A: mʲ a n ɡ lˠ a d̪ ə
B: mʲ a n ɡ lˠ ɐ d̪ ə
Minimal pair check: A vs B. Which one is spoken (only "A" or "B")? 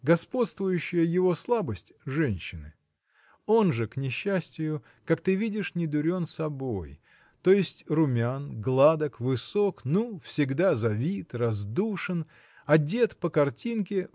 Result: A